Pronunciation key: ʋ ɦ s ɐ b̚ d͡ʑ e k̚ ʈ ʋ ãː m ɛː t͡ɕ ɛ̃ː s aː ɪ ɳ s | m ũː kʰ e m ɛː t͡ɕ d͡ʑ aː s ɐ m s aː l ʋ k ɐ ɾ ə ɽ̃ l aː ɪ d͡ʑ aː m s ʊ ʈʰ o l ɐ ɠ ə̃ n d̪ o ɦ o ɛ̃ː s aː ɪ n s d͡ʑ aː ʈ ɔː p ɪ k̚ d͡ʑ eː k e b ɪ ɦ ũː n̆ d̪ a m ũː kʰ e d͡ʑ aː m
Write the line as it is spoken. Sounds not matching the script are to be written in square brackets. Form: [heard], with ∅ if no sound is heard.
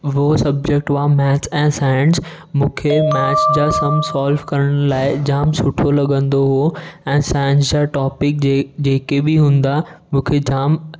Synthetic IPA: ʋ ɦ s ɐ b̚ d͡ʑ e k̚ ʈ ʋ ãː m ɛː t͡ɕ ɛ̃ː s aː ɪ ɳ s | m ũː kʰ e m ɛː t͡ɕ d͡ʑ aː s ɐ m s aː l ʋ k ɐ ɾ ə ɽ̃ l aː ɪ d͡ʑ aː m s ʊ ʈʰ o l ɐ ɠ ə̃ n d̪ o ɦ o ɛ̃ː s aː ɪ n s d͡ʑ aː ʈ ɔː p ɪ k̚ d͡ʑ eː k e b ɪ ɦ ũː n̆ d̪ a m ũː kʰ e d͡ʑ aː m